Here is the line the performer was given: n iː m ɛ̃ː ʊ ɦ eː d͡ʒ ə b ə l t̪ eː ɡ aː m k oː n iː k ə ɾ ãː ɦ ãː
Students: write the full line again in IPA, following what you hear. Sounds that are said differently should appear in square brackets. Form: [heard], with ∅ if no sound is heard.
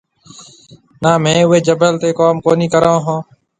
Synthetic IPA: n [aː] m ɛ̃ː ʊ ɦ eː d͡ʒ ə b ə l t̪ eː [k] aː m k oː n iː k ə ɾ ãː ɦ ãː